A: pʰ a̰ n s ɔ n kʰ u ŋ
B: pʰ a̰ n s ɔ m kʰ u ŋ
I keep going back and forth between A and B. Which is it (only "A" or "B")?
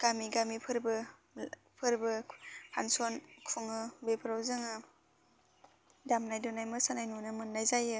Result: A